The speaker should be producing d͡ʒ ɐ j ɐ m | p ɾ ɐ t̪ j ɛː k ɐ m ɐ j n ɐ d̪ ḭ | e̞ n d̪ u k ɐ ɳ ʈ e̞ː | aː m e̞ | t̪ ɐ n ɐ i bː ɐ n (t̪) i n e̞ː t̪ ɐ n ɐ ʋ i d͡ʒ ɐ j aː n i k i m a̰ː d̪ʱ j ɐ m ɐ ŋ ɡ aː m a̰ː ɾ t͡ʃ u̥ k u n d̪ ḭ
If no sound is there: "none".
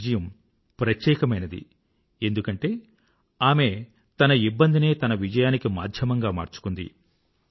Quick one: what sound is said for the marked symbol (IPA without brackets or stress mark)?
d̪